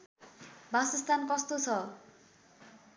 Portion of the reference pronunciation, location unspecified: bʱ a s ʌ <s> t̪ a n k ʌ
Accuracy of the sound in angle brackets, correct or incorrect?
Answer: correct